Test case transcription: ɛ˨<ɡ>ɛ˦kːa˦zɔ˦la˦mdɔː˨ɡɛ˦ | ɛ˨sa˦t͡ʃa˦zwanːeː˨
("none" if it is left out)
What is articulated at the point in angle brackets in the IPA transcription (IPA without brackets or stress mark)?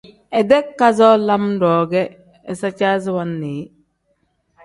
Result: d